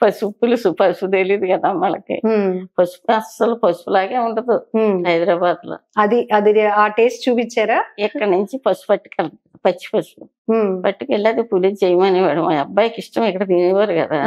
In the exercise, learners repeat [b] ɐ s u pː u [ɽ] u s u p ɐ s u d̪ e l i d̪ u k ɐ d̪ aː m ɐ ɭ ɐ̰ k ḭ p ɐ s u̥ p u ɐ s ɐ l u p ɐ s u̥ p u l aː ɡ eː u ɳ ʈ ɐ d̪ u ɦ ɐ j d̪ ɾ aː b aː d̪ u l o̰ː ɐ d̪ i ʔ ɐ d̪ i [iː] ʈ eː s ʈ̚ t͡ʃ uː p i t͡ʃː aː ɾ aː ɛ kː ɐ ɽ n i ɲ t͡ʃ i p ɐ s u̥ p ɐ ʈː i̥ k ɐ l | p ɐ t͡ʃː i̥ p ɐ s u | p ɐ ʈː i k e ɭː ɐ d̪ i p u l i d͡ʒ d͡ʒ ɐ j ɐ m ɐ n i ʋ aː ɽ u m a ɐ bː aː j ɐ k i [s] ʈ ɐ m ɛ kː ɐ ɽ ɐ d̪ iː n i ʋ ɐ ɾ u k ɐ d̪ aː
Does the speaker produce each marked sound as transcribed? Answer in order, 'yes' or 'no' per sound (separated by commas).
no, no, no, no